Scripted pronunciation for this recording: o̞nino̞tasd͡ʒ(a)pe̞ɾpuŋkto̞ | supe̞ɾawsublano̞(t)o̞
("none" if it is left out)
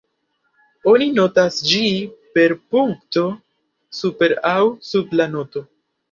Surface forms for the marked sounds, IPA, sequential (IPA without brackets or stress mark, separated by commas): i, t